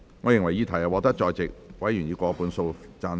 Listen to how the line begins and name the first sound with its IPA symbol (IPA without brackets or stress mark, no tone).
ŋ